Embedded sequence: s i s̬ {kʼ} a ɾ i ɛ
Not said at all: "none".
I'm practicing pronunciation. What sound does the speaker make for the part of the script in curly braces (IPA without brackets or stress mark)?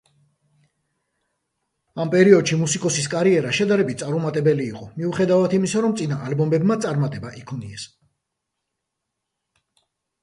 kʼ